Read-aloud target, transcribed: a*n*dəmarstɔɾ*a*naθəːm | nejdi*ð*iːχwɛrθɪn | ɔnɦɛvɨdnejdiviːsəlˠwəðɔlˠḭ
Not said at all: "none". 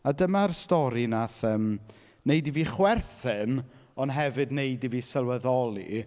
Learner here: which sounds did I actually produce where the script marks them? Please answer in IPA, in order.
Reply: none, i, v

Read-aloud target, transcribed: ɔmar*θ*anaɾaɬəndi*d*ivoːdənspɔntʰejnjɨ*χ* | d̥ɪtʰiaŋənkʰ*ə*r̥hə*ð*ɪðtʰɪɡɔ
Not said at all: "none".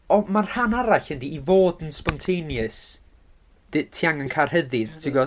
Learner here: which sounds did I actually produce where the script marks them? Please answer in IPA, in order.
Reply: h, none, s, a, ð

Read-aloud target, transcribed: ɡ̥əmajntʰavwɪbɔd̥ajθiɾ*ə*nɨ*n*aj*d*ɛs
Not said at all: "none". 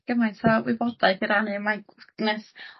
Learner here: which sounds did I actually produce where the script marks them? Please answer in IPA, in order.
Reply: a, m, n

